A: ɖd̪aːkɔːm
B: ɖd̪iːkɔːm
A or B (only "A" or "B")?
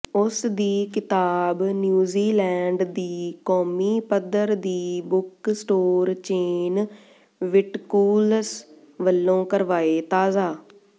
B